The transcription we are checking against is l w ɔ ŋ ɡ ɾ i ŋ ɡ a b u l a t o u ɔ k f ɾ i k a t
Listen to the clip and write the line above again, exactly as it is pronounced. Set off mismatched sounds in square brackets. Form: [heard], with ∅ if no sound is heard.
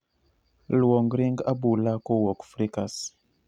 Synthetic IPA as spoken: l w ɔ ŋ ɡ ɾ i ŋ ɡ a b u l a [k] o [w] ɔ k f ɾ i k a [s]

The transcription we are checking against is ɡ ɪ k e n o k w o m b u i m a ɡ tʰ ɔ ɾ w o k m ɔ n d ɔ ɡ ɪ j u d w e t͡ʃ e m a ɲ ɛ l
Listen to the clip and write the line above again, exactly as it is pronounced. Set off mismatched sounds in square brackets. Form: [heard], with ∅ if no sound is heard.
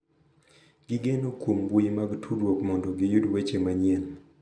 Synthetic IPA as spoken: ɡ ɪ [ɡ] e n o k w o m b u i m a ɡ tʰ [u] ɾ w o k m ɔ n d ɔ ɡ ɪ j u d w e t͡ʃ e m a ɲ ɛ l

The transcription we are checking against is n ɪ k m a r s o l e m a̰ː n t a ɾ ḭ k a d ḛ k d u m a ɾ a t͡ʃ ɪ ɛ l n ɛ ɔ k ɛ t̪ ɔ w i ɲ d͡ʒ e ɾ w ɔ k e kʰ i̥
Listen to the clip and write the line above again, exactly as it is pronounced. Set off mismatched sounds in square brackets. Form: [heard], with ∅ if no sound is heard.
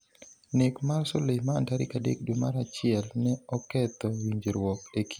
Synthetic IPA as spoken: n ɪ k m a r s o l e m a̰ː n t a ɾ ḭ k a d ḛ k d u m a ɾ a t͡ʃ ɪ ɛ l n ɛ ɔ k ɛ t̪ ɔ w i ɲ d͡ʒ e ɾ w ɔ k e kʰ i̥

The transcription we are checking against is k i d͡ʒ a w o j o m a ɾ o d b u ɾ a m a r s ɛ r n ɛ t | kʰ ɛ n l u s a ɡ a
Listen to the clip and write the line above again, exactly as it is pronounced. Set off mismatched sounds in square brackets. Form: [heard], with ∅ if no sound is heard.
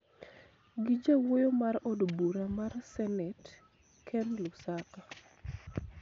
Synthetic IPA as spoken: [ɡ] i d͡ʒ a w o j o m a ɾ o d b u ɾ a m a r s ɛ [∅] n ɛ t | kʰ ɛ n l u s a [k] a

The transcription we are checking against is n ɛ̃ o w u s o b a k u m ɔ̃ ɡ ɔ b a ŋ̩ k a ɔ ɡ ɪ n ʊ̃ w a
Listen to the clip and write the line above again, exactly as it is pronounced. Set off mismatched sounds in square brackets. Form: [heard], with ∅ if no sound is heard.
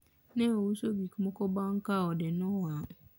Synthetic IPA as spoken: n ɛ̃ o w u s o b [i] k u m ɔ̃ [k] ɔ b a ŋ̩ k a ɔ [d] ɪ n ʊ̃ w a

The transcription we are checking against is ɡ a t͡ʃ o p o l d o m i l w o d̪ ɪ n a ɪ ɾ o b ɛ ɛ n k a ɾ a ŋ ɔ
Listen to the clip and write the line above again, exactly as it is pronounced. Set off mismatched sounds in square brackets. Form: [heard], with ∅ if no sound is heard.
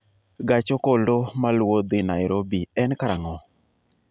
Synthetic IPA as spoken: ɡ a t͡ʃ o [k] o l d o m [a] l w o d̪ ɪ n a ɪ ɾ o b [i] ɛ n k a ɾ a ŋ ɔ

